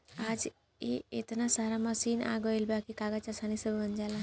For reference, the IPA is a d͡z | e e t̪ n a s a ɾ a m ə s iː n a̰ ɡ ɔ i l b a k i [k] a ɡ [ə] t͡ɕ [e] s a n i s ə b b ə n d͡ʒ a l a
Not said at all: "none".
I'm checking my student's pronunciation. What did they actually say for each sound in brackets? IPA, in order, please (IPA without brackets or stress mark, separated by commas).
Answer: k, a, a